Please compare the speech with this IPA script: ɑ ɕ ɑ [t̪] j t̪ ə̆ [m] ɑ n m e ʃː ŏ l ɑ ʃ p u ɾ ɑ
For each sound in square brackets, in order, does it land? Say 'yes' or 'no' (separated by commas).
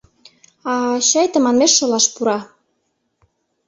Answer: no, yes